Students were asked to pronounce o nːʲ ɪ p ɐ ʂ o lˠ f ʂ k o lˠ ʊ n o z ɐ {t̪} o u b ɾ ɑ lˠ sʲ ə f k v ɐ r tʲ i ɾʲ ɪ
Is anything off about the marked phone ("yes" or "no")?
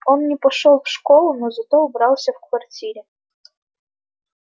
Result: no